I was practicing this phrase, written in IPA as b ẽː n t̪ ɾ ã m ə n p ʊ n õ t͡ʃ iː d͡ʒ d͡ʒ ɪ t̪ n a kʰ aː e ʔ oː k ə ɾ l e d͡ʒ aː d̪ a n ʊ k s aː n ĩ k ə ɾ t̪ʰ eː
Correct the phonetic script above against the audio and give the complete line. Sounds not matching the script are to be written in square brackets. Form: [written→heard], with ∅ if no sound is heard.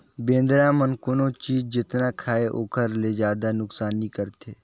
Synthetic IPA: b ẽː n [t̪→d̪] ɾ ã m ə n [p→k] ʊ n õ t͡ʃ iː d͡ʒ d͡ʒ ɪ t̪ n a kʰ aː e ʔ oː k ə ɾ l e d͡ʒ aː d̪ a n ʊ k s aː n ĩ k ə ɾ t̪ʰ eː